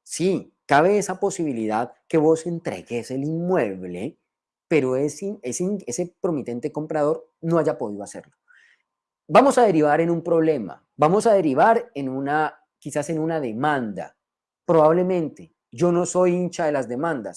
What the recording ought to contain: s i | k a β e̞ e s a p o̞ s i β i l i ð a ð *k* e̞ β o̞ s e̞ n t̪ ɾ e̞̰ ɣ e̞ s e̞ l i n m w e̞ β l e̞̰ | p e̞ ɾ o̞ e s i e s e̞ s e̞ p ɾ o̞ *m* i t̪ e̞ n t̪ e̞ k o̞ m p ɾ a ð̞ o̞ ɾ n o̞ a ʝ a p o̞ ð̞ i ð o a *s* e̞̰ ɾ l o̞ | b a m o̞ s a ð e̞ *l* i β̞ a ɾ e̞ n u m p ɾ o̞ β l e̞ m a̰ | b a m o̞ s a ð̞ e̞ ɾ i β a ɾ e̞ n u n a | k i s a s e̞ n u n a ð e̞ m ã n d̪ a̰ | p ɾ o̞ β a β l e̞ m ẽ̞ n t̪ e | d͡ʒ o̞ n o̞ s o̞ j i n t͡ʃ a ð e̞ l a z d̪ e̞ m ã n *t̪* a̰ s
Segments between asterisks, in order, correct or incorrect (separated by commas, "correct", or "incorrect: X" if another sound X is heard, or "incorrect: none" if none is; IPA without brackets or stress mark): correct, correct, correct, incorrect: ɾ, incorrect: d̪